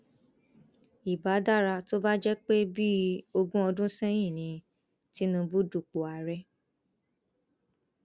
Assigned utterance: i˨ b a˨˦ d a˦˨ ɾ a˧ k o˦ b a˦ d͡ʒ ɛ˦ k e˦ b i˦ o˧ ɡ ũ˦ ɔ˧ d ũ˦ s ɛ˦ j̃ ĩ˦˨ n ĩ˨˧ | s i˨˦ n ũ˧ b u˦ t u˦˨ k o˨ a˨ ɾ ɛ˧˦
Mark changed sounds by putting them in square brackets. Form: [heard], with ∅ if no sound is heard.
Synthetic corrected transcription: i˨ b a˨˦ d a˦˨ ɾ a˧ [t] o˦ b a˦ d͡ʒ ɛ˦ [k͡p] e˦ b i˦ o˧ ɡ ũ˦ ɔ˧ d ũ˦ s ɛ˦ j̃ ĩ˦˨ n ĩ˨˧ | [t] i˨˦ n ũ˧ b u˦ [d] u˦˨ [k͡p] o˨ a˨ ɾ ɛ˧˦